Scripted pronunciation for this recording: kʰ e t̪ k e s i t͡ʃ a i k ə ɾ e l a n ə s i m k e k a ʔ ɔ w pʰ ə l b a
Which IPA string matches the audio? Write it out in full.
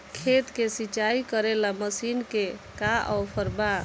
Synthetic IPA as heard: kʰ e t̪ k e s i t͡ʃ a i k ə ɾ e l a m ə s i n k e k a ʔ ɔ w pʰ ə ɾ b a